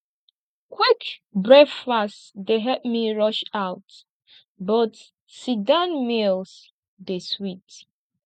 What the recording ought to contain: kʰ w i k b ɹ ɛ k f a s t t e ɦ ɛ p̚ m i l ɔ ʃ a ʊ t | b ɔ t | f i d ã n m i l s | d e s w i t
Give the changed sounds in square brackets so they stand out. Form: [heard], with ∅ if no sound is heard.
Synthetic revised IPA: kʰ w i k b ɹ ɛ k f a s t [d] e ɦ ɛ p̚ m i [ɹ] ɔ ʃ a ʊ t | b ɔ t | [s] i d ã n m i l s | d e s w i t